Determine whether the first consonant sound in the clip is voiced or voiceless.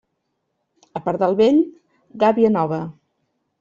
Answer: voiceless